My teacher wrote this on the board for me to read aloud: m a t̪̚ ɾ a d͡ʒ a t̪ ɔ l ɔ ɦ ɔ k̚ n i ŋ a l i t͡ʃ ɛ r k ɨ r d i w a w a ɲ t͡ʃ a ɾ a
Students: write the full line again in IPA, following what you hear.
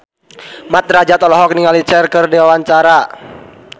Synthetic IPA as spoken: m a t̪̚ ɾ a d͡ʒ a t̪ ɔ l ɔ ɦ ɔ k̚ n i ŋ a l i t͡ʃ ɛ r k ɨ r d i w a w a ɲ t͡ʃ a ɾ a